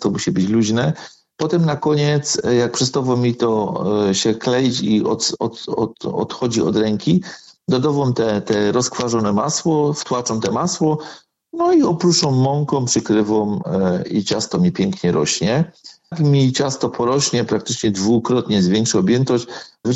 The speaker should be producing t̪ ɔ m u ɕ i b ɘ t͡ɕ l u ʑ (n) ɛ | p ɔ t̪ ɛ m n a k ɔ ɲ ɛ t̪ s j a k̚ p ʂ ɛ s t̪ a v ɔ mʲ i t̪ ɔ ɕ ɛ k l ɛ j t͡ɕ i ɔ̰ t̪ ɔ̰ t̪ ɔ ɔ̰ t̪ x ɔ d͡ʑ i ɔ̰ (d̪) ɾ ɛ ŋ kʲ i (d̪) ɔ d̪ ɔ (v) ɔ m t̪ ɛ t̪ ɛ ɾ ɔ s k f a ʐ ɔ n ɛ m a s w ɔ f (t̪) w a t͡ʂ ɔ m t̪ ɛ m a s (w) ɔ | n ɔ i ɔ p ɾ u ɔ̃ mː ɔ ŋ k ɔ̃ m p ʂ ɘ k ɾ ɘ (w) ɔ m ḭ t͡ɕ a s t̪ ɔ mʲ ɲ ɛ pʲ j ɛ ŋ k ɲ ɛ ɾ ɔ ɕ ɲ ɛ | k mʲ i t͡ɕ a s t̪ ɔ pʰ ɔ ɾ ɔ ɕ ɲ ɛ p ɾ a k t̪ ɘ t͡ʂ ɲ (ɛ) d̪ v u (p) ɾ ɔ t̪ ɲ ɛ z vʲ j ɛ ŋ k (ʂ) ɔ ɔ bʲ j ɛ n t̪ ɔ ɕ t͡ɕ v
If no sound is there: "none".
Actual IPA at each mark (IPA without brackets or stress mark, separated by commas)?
n, d̪, d̪, v, t̪, w, v, ɛ, k, ʂ